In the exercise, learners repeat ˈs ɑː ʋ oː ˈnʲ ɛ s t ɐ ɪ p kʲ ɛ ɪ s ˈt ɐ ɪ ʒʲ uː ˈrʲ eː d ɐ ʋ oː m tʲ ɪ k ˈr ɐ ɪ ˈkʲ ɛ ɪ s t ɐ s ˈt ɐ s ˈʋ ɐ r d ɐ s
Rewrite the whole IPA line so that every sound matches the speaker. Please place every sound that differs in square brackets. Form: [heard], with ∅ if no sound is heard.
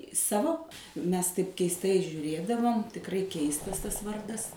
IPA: ˈs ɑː ʋ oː [ˈmʲ] ɛ s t ɐ ɪ p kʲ ɛ ɪ s ˈt ɐ ɪ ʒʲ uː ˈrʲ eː d ɐ ʋ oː m tʲ ɪ k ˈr ɐ ɪ ˈkʲ ɛ ɪ s t ɐ s ˈt ɐ s ˈʋ ɐ r d ɐ s